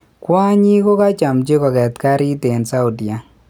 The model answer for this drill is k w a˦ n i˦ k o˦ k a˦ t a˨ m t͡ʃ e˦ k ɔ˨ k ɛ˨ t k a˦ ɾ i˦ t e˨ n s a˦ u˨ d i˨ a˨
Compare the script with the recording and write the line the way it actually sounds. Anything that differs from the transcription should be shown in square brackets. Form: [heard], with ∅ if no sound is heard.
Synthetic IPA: k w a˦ [ɲ] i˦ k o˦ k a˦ [t͡ʃ] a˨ m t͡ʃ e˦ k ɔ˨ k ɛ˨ t k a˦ ɾ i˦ t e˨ n s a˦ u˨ d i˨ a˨